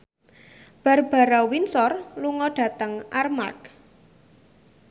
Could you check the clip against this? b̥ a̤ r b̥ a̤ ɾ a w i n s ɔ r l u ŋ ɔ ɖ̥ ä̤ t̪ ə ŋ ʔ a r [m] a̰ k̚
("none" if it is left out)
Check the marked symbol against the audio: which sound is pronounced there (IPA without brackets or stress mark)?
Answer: m